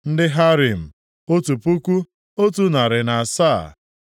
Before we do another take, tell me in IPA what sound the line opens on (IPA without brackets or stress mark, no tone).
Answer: n̩